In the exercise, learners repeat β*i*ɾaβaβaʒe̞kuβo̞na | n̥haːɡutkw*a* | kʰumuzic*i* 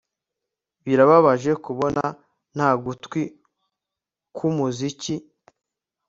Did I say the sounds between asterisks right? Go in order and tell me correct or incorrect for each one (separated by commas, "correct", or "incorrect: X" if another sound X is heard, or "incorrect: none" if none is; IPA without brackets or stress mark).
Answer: correct, incorrect: i, correct